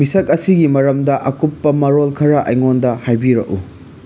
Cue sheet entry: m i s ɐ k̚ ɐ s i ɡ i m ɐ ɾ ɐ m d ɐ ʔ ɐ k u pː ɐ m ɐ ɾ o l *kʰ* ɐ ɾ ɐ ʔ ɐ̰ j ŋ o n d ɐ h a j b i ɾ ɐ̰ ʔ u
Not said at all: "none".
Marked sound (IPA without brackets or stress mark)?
kʰ